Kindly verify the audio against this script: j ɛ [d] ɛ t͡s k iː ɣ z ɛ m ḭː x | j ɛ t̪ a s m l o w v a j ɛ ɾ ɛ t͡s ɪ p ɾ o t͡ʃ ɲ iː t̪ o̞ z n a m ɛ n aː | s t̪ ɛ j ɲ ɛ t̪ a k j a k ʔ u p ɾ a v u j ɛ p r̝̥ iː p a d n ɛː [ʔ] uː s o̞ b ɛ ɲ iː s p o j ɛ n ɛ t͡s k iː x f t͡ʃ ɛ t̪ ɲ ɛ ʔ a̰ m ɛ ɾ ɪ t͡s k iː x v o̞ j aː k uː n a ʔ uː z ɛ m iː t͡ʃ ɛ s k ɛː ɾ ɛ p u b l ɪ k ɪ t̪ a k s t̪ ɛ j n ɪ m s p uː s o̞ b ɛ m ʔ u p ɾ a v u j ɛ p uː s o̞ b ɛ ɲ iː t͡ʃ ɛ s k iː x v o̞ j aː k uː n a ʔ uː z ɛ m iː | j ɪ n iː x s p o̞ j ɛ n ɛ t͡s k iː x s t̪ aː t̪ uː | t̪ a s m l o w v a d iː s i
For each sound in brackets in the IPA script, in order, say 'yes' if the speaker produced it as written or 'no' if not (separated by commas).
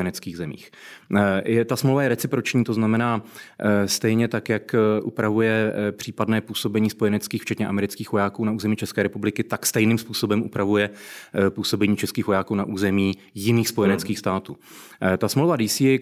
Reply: no, no